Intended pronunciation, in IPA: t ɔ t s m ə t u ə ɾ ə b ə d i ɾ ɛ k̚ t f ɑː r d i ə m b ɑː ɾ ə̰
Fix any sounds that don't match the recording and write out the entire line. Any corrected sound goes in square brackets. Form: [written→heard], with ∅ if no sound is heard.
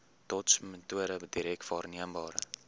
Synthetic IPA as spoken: t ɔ t s m ə t u ə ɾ ə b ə d i ɾ ɛ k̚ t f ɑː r [d→n] i ə m b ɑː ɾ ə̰